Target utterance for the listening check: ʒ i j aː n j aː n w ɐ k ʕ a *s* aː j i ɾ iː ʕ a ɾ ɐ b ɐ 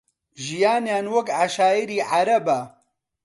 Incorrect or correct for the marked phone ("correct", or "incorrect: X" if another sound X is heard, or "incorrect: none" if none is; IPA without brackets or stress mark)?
incorrect: ʃ